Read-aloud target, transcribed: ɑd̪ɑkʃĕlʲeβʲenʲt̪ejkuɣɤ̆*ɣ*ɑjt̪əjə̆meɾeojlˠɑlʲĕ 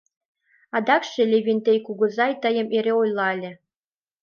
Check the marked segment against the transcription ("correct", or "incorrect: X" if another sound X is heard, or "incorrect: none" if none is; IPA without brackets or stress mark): incorrect: z